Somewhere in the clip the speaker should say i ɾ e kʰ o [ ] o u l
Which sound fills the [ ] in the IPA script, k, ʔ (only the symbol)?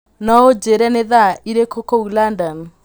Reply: k